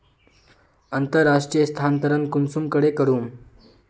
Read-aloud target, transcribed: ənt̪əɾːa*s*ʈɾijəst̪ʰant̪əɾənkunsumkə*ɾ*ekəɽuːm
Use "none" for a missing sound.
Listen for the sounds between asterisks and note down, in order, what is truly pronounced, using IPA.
ʂ, ɽ

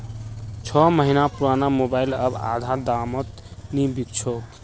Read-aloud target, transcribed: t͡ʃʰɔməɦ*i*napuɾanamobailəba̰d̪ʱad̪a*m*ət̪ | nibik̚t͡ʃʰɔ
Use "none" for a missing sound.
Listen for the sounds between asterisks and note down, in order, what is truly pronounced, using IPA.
i, m

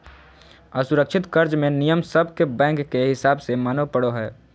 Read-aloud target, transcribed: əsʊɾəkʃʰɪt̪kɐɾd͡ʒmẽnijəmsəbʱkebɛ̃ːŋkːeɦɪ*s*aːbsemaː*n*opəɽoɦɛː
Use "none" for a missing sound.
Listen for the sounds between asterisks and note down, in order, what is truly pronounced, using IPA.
s, n

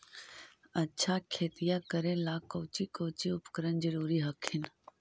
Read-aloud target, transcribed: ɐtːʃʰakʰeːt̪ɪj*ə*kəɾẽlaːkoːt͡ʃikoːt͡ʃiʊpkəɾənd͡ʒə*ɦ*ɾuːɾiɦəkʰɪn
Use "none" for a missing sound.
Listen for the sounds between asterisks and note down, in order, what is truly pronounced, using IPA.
a, none

